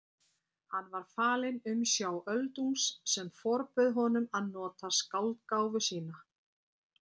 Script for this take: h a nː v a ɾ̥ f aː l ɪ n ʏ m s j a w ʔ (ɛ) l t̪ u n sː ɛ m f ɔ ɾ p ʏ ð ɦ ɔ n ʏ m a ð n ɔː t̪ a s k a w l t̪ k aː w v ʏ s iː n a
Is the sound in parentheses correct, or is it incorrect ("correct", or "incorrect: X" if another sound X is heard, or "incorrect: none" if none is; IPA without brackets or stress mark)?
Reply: incorrect: œ